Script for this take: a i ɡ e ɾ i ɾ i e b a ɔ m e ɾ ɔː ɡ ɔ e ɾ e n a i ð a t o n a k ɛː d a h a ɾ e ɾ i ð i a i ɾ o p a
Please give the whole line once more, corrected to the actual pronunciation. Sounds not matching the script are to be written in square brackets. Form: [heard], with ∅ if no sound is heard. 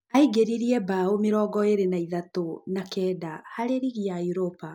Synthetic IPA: a i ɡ e ɾ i ɾ i [ɛ] b a [o] m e ɾ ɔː ɡ ɔ e ɾ e n a i ð a t o n a k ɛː d a h a ɾ e ɾ i [ɣ] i a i ɾ o p a